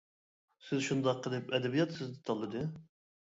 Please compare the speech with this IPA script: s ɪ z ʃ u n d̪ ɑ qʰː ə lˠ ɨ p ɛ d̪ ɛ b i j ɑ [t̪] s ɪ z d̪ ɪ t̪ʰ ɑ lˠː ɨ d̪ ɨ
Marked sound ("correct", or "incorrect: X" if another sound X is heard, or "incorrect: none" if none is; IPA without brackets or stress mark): correct